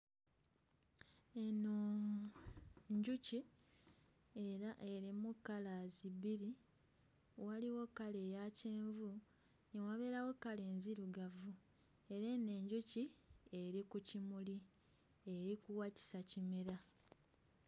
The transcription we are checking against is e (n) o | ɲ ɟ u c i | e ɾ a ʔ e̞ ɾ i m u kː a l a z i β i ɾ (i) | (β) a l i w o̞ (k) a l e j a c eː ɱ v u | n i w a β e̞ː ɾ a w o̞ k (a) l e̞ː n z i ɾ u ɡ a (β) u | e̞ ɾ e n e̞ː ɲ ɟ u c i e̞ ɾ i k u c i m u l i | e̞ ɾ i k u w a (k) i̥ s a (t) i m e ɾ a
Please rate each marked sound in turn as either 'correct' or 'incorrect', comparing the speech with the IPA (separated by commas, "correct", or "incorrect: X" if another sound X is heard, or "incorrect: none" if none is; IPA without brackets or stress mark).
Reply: correct, correct, incorrect: w, correct, correct, incorrect: v, incorrect: c, incorrect: c